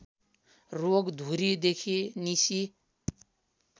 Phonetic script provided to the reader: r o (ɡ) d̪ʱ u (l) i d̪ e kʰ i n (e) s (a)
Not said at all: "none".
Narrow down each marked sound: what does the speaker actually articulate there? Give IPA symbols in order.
ɡ, ɾ, i, i

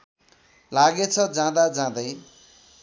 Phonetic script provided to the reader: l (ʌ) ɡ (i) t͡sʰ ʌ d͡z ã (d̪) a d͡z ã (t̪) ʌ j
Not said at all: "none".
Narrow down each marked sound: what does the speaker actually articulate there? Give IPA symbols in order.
a, e, d̪, d̪

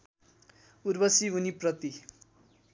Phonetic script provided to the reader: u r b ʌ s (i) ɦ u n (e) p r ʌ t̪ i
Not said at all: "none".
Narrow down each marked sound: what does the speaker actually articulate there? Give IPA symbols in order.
i, i

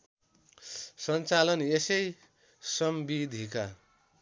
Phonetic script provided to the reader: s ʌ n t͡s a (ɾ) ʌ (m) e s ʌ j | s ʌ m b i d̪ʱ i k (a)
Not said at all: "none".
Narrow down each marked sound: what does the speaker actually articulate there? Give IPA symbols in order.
l, n, a

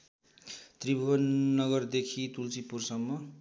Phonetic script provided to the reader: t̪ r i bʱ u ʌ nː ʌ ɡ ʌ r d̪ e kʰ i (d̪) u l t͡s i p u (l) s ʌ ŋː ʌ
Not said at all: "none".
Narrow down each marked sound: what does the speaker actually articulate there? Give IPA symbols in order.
t̪, r

